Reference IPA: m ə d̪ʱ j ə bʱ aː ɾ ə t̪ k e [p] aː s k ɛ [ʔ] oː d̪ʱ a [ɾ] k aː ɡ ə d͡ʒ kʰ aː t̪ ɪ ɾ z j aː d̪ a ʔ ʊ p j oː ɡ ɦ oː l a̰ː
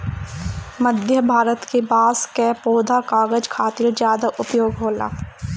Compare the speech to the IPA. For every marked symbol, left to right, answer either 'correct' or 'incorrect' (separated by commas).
incorrect, incorrect, incorrect